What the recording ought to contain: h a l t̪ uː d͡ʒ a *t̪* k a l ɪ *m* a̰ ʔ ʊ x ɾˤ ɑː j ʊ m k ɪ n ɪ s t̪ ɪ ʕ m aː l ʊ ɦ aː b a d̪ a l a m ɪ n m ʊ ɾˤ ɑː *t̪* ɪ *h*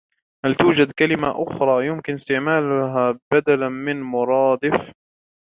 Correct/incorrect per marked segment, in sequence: incorrect, correct, incorrect, incorrect

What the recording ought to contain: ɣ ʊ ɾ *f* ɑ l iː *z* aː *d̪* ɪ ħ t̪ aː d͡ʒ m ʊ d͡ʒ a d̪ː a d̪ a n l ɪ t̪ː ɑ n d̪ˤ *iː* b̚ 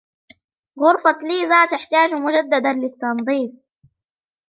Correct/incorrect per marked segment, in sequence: correct, correct, incorrect, correct

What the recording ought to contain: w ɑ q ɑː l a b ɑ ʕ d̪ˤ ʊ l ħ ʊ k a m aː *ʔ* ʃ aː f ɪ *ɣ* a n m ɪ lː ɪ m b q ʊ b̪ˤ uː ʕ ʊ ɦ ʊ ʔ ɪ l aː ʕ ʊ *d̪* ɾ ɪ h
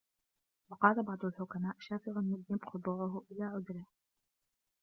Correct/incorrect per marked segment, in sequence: correct, correct, correct

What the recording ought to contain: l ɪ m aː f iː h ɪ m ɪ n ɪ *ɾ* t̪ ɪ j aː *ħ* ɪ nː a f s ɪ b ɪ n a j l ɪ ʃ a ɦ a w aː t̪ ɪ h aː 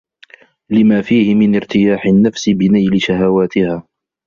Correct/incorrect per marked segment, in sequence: correct, correct

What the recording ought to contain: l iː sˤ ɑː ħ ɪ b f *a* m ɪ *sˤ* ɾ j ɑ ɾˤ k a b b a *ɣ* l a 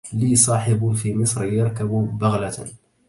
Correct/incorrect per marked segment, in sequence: incorrect, correct, correct

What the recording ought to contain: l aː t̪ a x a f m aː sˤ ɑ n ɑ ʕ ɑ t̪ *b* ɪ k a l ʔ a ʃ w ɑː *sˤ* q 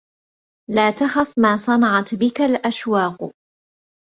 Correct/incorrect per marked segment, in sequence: correct, incorrect

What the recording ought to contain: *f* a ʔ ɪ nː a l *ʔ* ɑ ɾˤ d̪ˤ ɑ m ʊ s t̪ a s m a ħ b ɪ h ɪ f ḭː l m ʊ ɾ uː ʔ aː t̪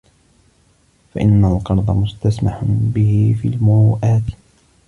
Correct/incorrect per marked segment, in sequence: correct, incorrect

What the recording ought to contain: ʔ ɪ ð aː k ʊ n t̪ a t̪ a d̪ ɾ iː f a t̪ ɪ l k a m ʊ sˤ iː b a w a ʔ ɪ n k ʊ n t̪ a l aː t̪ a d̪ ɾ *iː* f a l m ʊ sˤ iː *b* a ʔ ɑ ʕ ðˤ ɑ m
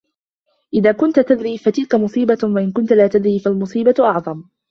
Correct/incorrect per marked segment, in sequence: correct, correct

